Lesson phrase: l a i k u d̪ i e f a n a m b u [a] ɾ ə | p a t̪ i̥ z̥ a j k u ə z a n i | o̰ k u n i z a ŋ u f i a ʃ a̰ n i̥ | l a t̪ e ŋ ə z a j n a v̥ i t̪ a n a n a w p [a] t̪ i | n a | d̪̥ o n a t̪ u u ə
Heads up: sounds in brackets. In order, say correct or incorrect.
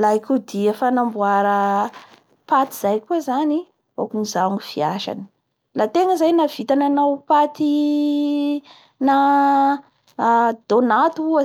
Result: correct, correct

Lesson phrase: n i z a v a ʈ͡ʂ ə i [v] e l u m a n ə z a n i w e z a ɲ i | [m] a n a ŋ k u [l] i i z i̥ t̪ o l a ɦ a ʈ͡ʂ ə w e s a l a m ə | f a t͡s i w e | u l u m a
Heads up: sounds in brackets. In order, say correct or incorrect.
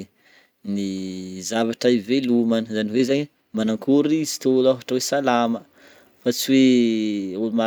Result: correct, correct, incorrect: ɾ

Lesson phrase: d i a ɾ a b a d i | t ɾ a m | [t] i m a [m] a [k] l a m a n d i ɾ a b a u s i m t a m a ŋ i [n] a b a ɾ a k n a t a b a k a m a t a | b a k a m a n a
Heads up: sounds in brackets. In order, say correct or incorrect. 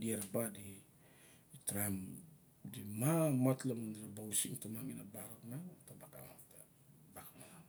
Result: incorrect: d, correct, incorrect: t, correct

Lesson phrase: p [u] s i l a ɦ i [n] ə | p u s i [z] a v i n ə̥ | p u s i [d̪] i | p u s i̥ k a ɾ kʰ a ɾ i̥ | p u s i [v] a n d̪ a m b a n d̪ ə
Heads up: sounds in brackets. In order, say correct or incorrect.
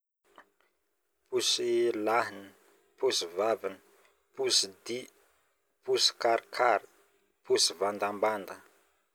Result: correct, correct, incorrect: v, correct, correct

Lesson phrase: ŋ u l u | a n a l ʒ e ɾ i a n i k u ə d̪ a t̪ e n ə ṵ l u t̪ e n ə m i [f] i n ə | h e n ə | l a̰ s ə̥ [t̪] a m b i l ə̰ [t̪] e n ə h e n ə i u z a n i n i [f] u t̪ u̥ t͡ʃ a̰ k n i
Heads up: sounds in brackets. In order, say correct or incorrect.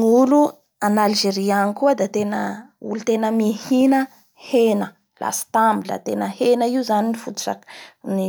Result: incorrect: h, correct, correct, correct

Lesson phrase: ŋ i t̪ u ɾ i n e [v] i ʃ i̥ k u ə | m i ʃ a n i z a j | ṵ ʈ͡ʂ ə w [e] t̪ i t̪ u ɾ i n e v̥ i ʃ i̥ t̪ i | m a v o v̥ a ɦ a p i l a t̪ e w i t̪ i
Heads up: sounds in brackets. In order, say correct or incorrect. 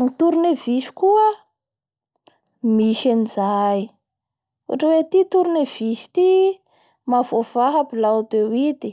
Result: correct, correct

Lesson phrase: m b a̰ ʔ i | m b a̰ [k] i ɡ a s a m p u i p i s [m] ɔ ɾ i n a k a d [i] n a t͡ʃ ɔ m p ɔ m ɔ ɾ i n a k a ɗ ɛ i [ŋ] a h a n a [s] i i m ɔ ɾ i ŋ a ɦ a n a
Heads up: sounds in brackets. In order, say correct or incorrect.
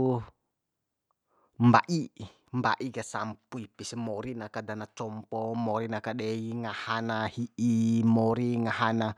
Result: incorrect: ʔ, correct, incorrect: a, correct, incorrect: h

